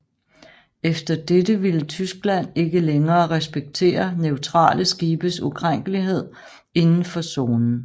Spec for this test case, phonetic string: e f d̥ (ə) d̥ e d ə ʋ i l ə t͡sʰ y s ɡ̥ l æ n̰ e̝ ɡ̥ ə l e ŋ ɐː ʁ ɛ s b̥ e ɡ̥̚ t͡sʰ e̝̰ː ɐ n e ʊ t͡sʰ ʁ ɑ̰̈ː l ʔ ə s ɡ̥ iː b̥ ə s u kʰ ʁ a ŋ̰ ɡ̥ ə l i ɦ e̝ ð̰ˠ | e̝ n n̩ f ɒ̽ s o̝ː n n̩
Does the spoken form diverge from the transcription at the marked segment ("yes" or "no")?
yes